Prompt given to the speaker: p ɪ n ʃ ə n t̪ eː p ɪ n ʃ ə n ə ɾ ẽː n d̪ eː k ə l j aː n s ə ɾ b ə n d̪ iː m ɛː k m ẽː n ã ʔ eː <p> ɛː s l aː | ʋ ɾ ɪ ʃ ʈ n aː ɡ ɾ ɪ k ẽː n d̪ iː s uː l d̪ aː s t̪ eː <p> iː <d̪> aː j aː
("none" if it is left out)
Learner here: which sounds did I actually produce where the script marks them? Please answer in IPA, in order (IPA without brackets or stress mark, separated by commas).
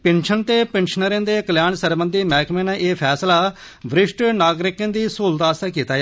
pʰ, k, t̪